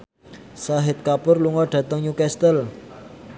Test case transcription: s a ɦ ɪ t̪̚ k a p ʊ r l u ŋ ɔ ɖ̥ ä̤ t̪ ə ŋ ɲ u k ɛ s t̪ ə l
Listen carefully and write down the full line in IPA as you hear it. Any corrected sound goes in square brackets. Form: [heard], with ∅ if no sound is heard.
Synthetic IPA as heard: s a ɦ ɪ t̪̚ k a p ʊ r l u ŋ ɔ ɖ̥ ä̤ t̪ ə ŋ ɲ u k ɛ s t̪ ə l